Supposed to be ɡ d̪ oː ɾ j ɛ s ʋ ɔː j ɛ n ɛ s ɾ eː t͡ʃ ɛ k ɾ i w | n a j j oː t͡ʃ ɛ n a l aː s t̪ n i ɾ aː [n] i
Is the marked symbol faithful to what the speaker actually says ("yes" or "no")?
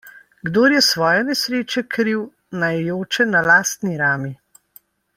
no